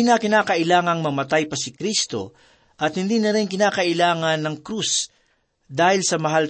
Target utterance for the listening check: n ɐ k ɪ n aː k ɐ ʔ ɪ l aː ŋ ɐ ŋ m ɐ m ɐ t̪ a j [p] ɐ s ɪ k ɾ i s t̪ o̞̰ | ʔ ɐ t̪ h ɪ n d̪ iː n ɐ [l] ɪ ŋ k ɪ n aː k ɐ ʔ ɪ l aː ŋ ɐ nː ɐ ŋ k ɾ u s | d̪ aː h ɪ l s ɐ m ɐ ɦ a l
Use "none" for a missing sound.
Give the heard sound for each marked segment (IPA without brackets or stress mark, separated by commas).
p, ɾ